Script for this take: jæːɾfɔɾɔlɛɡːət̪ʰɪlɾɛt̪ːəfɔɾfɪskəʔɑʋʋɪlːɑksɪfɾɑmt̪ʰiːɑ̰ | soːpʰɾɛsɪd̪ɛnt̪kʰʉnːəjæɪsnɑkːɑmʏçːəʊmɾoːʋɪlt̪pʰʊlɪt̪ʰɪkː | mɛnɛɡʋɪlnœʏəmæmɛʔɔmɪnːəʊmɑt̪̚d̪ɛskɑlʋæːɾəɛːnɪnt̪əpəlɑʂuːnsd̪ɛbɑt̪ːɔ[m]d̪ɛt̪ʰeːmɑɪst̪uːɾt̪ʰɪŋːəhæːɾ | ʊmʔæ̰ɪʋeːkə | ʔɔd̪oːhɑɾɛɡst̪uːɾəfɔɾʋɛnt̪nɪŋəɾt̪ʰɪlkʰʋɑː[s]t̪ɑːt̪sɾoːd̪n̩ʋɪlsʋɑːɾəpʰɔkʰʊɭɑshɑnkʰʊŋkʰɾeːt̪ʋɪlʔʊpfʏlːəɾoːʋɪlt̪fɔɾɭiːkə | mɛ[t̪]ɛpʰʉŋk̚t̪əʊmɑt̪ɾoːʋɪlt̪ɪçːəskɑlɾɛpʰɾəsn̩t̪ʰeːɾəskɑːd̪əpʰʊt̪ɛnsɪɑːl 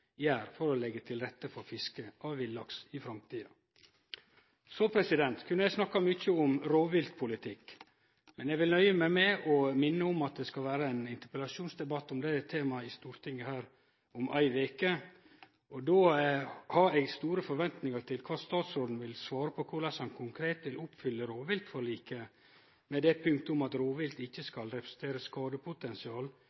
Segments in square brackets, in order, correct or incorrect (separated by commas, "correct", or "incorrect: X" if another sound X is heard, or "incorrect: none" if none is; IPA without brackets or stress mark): correct, correct, incorrect: d̪